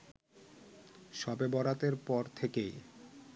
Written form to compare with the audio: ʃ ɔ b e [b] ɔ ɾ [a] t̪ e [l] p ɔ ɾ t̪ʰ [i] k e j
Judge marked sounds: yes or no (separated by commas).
yes, yes, no, no